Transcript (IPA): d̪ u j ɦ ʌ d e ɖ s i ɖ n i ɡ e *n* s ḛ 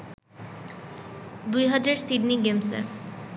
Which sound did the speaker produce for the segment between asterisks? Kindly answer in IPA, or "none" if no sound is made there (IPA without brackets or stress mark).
m